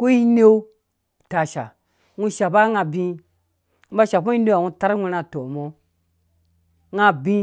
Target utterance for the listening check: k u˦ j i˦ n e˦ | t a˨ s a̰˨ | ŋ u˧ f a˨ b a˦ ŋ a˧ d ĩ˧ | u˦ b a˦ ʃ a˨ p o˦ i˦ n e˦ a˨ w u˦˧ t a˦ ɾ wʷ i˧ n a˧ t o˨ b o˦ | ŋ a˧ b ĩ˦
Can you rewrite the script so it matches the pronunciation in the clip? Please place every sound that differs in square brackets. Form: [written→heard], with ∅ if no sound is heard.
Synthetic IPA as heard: k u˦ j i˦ n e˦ | t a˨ [s→ʃ] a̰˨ | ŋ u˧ [f→ʃ] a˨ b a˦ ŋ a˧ [d→b] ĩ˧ | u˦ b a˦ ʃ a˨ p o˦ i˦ n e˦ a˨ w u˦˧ t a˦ ɾ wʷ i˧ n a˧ t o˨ [b→m] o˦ | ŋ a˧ b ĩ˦